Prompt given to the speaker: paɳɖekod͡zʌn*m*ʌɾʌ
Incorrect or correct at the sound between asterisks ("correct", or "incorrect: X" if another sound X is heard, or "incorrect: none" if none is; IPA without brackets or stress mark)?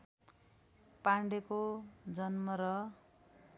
correct